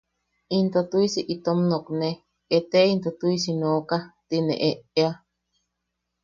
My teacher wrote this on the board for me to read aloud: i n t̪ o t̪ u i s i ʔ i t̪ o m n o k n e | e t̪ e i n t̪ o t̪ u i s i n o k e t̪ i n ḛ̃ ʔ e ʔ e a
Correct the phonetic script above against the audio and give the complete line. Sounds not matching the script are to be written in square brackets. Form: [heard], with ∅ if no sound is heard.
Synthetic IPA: i n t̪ o t̪ u i s i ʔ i t̪ o m n o k n e | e t̪ e i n t̪ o t̪ u i s i n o k [a] t̪ i n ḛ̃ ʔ e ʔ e a